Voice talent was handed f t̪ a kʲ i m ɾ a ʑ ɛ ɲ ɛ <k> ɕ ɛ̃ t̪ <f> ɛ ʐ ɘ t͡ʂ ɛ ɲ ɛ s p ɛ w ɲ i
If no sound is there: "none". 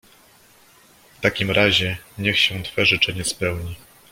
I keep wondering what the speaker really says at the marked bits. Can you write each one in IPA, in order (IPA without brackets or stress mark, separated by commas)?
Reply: x, f